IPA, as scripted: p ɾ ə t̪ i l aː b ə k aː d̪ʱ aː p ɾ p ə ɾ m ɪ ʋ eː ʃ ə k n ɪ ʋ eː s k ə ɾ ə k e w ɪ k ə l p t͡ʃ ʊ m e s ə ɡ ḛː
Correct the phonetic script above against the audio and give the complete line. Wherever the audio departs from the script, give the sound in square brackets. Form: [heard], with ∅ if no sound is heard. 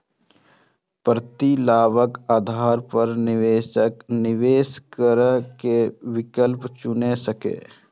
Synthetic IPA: p ɾ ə t̪ i l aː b ə k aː d̪ʱ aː [∅] ɾ p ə ɾ [n] ɪ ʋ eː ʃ ə k n ɪ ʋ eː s k ə ɾ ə k e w ɪ k ə l p t͡ʃ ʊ [n] e s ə [k] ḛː